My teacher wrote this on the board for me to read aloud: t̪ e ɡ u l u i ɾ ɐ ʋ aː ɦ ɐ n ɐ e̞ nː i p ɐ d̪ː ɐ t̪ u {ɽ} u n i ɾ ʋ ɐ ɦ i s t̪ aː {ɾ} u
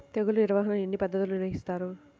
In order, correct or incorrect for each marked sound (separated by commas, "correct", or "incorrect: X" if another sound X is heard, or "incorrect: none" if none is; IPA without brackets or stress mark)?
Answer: incorrect: l, correct